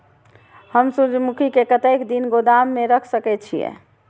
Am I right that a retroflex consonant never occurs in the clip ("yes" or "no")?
yes